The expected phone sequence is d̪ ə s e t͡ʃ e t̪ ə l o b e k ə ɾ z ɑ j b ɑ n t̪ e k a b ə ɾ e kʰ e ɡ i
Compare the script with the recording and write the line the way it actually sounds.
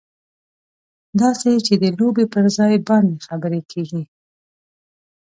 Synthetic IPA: d̪ ɑ s e t͡ʃ e d̪ ə l o b e p ə ɾ z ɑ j b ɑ n d̪ e x a b ə ɾ e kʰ e ɡ i